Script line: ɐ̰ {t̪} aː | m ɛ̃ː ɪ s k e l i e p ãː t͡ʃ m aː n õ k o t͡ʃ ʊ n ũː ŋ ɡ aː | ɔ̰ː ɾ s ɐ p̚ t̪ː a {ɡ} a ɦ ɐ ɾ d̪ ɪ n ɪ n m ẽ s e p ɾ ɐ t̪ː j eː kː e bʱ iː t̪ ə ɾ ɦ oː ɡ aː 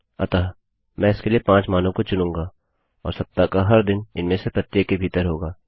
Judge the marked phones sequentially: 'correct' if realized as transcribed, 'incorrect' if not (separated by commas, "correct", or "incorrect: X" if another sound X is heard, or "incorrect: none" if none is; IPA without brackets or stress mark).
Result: correct, incorrect: k